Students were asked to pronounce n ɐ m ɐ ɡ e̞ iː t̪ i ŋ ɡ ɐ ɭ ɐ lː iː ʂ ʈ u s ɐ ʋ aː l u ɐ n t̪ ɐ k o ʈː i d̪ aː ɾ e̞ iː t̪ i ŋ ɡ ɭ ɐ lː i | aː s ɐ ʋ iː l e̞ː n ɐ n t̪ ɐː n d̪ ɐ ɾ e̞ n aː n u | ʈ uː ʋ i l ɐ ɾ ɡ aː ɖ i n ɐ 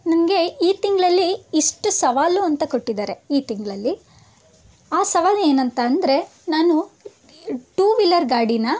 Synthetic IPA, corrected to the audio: n ɐ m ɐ ɡ e̞ iː t̪ i ŋ ɡ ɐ ɭ ɐ lː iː ʂ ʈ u s ɐ ʋ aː l u ɐ n t̪ ɐ k o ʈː i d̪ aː ɾ e̞ iː t̪ i ŋ ɡ ɭ ɐ lː i | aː s ɐ ʋ aː l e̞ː n ɐ n t̪ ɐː n d̪ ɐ ɾ e̞ n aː n u | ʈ uː ʋ i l ɐ ɾ ɡ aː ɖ i n ɐ